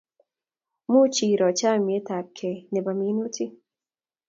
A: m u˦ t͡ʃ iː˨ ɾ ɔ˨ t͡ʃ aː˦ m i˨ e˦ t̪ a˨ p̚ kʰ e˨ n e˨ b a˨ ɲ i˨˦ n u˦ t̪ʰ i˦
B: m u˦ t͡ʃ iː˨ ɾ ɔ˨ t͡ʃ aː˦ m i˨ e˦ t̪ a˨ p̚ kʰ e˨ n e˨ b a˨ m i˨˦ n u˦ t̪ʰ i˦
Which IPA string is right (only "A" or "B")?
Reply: B